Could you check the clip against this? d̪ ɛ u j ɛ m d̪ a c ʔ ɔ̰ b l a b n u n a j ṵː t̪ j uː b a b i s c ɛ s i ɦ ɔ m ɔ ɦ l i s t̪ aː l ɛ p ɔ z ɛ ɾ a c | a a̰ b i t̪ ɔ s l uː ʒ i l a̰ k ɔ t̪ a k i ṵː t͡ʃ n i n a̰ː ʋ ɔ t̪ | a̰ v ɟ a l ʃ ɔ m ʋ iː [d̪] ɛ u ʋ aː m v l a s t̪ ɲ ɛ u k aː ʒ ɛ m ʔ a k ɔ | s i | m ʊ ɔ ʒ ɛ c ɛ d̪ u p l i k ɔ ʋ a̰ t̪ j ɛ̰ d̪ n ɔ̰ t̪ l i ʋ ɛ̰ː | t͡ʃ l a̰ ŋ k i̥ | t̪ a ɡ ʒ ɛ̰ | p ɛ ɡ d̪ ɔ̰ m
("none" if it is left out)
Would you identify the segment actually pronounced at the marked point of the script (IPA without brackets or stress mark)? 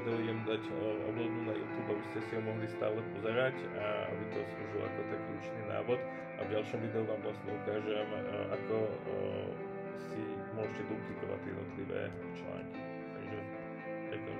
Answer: d̪